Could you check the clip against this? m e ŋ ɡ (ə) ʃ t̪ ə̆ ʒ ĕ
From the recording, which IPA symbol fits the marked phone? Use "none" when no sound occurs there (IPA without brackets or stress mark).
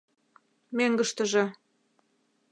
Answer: ə